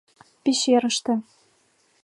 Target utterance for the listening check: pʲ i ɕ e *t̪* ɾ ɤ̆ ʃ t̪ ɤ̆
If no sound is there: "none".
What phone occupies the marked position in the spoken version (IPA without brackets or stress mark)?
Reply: none